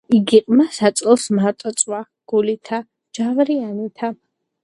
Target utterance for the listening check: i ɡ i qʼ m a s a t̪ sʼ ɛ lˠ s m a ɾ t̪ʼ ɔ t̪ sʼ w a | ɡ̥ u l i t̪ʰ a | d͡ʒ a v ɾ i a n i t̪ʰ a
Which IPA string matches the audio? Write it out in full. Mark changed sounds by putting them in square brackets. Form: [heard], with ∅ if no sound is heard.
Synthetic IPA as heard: i ɡ i qʼ m a s a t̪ sʼ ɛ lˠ s m a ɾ t̪ʼ ɔ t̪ sʼ w a | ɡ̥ u l i t̪ʰ a | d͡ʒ a v ɾ i a n i t̪ʰ a